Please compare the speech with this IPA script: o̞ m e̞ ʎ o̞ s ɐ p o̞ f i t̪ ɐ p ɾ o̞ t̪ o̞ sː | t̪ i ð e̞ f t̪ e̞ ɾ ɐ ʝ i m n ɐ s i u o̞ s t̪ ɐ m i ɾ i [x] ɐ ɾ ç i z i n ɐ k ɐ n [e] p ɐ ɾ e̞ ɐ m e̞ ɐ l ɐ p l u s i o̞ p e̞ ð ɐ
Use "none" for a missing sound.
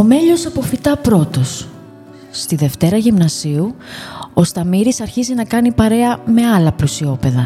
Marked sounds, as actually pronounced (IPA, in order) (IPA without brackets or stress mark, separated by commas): s, i